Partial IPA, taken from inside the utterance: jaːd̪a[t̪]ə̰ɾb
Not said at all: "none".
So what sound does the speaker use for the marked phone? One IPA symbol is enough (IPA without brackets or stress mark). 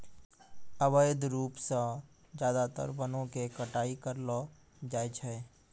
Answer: t̪